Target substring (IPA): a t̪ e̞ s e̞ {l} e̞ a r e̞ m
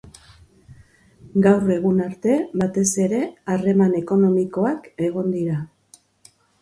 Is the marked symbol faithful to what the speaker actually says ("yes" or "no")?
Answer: no